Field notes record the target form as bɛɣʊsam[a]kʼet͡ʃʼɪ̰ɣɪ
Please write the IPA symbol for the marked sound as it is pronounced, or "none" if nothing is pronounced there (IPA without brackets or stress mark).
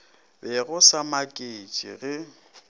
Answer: a